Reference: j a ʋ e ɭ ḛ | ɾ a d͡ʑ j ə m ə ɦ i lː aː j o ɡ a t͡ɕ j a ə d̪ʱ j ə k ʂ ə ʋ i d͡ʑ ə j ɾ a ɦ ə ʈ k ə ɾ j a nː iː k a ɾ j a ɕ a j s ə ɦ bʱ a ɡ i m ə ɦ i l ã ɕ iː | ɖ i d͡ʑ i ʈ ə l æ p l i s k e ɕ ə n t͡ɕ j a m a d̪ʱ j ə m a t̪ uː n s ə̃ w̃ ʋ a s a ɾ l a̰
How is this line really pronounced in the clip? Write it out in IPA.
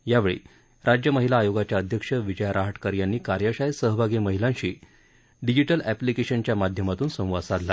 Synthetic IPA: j a ʋ e ɭ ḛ | ɾ a d͡ʑ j ə m ə ɦ i l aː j o ɡ a t͡ɕ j a ə d̪ʱ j ə k ʂ ə ʋ i d͡ʑ ə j ɾ a ɦ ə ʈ k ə ɾ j a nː iː k a ɾ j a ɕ a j s ə ɦ bʱ a ɡ i m ə ɦ i l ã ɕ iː | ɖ i d͡ʑ i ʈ ə l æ p l i k e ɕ ə n t͡ɕ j a m a d̪ʱ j ə m a t̪ uː n s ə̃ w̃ ʋ a s a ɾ l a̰